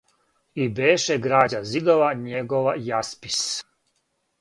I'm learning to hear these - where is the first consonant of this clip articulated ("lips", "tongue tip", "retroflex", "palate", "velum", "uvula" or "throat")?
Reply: lips